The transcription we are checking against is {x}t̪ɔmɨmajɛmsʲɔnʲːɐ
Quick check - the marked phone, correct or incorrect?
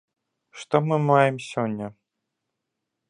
incorrect: ʂ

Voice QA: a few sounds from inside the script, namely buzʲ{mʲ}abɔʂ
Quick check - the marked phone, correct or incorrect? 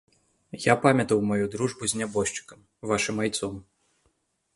incorrect: nʲ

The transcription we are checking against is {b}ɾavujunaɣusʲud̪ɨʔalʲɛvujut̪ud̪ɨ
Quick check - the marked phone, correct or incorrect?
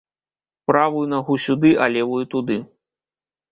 incorrect: p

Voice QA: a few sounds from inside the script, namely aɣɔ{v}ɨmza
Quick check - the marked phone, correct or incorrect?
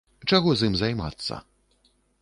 incorrect: z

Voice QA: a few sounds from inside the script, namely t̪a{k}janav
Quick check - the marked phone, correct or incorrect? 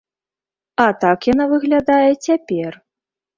correct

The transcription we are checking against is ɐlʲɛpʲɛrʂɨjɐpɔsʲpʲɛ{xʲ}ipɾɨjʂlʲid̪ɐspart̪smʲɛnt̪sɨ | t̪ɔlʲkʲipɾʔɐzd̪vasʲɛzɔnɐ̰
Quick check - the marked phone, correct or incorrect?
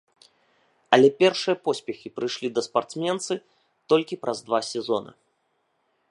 correct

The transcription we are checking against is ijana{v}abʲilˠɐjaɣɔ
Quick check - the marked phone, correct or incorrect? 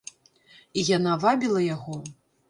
correct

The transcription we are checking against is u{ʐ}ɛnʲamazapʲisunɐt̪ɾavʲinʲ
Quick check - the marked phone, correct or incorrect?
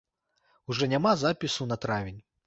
correct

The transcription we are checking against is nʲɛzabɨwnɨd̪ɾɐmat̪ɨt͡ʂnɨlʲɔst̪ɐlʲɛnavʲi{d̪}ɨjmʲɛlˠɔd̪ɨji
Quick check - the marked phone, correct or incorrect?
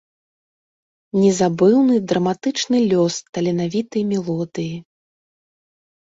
incorrect: t̪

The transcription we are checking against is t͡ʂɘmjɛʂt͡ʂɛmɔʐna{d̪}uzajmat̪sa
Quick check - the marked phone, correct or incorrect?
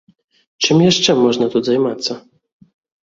incorrect: t̪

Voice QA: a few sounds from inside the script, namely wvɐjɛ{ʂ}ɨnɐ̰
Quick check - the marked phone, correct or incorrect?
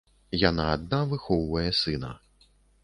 incorrect: s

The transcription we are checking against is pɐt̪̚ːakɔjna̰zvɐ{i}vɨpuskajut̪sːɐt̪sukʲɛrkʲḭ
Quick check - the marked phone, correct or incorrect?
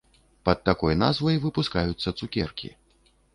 incorrect: j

